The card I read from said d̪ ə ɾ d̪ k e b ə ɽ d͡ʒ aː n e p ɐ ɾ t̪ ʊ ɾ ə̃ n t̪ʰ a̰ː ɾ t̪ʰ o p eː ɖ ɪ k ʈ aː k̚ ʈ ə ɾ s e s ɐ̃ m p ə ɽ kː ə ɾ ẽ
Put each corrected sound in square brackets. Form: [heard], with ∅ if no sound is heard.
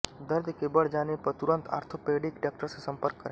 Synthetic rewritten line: d̪ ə ɾ d̪ k e b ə ɽ d͡ʒ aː n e p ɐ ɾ t̪ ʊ ɾ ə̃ n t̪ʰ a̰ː ɾ t̪ʰ o p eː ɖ ɪ k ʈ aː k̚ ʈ ə ɾ s e s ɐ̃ m p ə [ɾ] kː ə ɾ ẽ